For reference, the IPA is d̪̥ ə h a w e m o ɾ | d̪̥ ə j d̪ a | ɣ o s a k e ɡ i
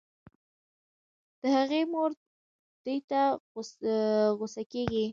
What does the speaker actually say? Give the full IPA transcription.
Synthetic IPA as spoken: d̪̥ ə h a ɣ e m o ɾ | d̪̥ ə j t̪ a | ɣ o s a k e ɡ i